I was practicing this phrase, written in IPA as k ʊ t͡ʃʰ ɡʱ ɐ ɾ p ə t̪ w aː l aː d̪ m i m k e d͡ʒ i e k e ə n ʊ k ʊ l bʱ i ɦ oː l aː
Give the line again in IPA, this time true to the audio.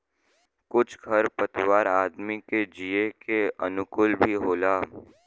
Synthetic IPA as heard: k ʊ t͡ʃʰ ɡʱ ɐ ɾ p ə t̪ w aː ɾ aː d̪ m i k e d͡ʒ i e k e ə n ʊ k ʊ l bʱ i ɦ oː l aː